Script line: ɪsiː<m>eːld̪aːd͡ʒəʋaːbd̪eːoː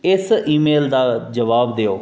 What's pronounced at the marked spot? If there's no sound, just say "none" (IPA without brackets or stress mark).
m